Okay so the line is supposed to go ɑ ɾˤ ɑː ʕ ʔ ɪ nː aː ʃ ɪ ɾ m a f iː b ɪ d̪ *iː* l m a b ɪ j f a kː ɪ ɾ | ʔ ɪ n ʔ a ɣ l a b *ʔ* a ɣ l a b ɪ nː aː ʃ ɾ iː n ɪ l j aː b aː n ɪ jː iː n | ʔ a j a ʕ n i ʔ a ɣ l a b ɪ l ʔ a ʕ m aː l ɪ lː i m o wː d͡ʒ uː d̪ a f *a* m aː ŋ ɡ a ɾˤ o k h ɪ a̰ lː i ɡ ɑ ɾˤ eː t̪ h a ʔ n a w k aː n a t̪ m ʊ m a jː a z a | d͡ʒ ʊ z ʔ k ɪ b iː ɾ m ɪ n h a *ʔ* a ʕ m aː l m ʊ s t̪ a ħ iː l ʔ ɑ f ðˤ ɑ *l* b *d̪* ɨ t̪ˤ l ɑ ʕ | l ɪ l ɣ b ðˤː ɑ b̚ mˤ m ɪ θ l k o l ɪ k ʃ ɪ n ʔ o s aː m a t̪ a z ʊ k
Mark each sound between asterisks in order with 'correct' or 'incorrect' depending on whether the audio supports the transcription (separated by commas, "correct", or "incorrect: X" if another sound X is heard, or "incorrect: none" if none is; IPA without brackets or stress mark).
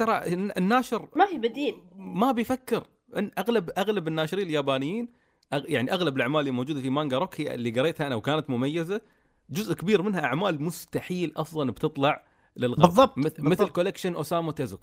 correct, correct, incorrect: i, correct, correct, incorrect: t̪